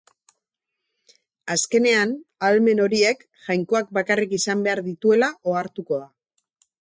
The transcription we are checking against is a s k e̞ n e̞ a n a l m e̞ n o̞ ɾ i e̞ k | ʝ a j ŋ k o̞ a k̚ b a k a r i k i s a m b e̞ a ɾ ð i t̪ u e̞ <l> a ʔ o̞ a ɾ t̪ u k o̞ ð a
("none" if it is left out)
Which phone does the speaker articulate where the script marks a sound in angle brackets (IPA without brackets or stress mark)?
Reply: l